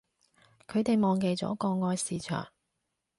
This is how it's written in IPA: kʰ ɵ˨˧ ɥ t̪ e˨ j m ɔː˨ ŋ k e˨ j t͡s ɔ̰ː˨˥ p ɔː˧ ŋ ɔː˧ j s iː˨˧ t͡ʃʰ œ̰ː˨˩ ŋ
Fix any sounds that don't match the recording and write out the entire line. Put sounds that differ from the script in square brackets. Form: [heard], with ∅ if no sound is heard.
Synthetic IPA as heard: kʰ ɵ˨˧ ɥ t̪ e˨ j m ɔː˨ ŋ k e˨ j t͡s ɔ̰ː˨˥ [k] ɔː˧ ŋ ɔː˧ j s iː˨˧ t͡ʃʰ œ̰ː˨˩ ŋ